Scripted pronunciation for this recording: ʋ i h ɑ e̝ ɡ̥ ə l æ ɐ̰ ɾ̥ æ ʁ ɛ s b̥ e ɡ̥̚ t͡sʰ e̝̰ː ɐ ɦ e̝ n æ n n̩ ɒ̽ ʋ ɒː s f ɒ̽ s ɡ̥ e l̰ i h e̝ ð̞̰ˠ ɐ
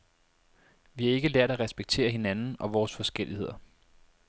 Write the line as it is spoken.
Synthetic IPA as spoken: ʋ i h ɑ e̝ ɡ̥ ə l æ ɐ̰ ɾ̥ æ ʁ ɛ s b̥ e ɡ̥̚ t͡sʰ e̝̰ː ɐ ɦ e̝ n æ n n̩ ɒ̽ ʋ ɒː s f ɒ̽ s ɡ̥ e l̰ i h e̝ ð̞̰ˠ ɐ